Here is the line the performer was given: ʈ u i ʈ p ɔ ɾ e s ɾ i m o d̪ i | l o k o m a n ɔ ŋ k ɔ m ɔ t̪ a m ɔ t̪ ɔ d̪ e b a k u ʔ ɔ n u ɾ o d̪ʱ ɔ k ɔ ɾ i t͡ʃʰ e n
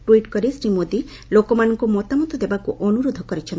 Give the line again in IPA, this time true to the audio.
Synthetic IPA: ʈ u i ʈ k ɔ ɾ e s ɾ i m o d̪ i | l o k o m a n ɔ ŋ k u m ɔ t̪ a m ɔ t̪ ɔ d̪ e b a k u ʔ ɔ n u ɾ o d̪ʱ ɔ k ɔ ɾ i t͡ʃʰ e n